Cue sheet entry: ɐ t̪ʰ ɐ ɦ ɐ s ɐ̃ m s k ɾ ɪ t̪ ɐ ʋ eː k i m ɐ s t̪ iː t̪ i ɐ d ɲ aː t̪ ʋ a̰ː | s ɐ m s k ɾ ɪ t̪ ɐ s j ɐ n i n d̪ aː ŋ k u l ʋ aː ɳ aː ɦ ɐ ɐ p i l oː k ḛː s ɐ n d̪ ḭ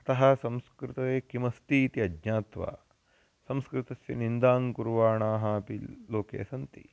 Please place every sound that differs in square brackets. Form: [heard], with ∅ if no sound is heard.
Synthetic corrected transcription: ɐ [t̪] ɐ ɦ ɐ s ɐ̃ m s k ɾ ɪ t̪ ɐ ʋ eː k i m ɐ s t̪ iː t̪ i ɐ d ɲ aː t̪ ʋ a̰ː | s ɐ m s k ɾ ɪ t̪ ɐ s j ɐ n i n d̪ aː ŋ k u [ɾ] ʋ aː ɳ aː ɦ ɐ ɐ p i l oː k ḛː s ɐ n [t̪] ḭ